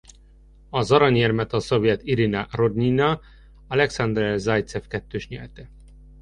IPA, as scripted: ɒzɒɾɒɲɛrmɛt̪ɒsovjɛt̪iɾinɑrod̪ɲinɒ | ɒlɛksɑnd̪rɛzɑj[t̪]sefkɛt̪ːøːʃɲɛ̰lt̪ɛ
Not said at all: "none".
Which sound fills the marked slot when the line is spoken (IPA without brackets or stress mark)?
t̪